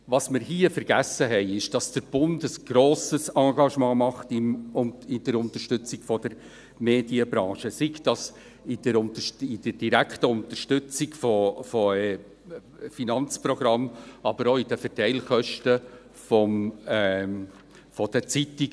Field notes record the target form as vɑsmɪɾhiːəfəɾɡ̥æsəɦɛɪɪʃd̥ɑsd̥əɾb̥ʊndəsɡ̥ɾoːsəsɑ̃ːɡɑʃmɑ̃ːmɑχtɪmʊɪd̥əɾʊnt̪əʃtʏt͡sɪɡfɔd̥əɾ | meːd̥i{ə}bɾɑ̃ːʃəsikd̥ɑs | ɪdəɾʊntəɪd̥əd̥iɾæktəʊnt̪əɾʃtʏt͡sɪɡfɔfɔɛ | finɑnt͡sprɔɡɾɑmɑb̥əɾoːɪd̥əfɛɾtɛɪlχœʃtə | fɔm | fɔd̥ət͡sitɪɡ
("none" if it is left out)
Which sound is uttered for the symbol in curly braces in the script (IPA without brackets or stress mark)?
ə